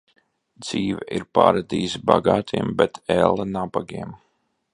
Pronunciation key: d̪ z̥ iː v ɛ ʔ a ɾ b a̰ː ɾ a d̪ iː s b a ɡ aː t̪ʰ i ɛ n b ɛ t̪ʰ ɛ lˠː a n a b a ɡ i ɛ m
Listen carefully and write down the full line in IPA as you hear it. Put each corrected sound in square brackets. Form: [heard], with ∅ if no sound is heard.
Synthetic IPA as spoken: d̪ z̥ iː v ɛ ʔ [i] ɾ [p] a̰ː ɾ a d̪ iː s b a ɡ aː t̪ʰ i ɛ [m] b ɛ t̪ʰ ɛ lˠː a n a b a ɡ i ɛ m